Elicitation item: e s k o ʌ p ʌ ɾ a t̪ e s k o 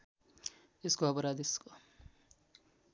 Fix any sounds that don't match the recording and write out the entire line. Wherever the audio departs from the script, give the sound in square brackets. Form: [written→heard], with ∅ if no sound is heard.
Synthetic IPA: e s k o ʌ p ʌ ɾ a [t̪→d̪] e s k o